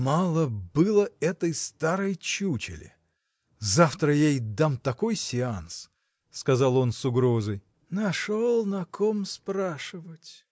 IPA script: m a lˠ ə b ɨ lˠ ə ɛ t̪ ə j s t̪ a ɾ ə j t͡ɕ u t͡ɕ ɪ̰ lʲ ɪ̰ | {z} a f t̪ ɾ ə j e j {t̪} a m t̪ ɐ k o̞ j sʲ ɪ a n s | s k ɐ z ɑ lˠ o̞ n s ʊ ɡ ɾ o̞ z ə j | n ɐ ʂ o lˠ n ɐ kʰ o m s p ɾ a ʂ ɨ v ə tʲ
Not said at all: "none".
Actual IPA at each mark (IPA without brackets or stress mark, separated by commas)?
z, d̪